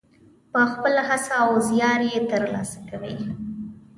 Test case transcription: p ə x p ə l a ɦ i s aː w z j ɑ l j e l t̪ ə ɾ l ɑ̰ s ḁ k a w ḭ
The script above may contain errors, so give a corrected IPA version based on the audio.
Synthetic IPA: p ə x p ə l a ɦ a s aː w z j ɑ ɾ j e t̪ ə ɾ l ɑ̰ s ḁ k a w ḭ